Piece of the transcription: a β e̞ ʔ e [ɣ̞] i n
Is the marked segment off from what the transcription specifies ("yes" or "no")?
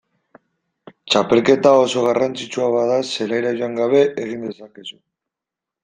no